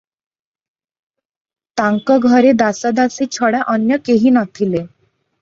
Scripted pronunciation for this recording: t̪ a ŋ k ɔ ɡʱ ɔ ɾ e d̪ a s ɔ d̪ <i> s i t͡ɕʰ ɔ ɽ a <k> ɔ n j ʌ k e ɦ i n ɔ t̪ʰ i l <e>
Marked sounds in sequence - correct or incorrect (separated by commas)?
incorrect, incorrect, correct